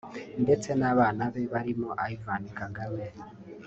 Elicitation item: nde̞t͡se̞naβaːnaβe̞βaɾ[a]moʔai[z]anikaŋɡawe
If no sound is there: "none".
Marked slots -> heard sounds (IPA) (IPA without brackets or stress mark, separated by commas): i, v